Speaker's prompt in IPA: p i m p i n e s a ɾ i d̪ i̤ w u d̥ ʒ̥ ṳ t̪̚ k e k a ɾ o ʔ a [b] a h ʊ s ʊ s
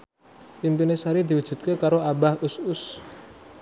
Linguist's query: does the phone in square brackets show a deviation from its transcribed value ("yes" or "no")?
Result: no